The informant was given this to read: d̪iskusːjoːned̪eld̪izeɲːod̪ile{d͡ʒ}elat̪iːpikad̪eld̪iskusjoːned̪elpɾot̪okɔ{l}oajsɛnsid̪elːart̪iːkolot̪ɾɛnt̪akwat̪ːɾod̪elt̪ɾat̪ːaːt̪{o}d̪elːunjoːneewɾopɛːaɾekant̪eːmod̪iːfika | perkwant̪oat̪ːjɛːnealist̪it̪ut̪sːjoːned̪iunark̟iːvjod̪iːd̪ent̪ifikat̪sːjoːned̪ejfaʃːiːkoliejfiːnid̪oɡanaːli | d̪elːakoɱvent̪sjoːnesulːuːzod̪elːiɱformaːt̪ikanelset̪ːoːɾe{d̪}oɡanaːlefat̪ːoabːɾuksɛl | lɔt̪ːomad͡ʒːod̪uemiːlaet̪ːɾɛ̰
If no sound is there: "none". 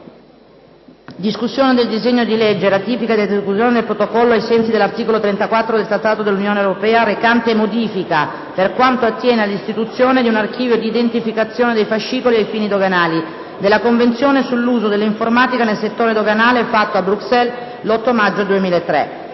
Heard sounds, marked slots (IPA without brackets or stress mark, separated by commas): d͡ʒː, lː, o, d̪